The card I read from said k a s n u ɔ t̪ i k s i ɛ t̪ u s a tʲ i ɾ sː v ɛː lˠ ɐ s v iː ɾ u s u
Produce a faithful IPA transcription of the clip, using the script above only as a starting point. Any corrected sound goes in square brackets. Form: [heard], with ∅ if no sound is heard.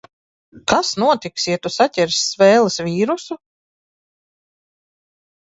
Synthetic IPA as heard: k a s n u ɔ t̪ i k s i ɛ t̪ u s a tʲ [ɛ] ɾ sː v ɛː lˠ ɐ s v iː ɾ u s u